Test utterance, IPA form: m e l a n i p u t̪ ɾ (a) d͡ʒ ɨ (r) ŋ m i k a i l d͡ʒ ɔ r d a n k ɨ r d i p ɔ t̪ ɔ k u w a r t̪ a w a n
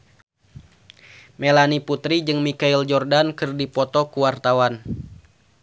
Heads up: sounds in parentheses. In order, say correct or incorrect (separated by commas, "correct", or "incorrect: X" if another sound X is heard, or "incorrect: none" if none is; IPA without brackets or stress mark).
incorrect: i, incorrect: none